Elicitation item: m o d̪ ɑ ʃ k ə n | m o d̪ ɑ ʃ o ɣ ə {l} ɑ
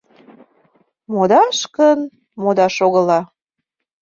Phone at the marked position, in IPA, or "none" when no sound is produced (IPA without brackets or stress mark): l